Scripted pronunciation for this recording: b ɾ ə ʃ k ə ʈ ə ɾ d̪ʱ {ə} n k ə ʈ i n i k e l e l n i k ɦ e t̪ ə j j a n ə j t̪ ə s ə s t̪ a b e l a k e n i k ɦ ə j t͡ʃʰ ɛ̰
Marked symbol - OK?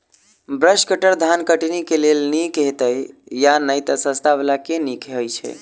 no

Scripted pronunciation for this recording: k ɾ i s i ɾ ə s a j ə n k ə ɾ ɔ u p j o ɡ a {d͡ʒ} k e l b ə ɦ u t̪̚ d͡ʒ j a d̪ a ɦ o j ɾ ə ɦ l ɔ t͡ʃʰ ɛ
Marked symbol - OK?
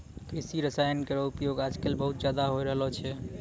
yes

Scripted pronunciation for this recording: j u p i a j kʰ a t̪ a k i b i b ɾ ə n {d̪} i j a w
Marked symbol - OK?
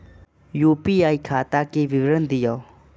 yes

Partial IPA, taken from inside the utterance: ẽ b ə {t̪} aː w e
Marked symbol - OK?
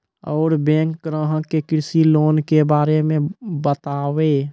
yes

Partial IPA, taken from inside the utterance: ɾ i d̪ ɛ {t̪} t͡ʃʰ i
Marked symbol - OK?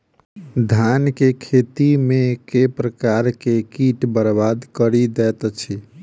yes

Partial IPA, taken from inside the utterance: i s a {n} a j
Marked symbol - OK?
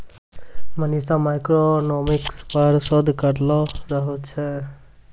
no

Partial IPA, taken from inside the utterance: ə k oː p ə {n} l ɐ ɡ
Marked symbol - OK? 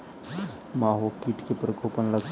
yes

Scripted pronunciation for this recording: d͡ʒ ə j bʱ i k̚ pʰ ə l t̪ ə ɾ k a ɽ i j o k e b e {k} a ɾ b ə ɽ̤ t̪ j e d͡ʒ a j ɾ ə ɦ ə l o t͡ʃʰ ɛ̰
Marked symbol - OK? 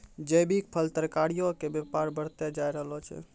no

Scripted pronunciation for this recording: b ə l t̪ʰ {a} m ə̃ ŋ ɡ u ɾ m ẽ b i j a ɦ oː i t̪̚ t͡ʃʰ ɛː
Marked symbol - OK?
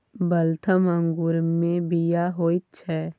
no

